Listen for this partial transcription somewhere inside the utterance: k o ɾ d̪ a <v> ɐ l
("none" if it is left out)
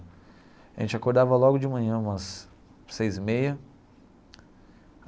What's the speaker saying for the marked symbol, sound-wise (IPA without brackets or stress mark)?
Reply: v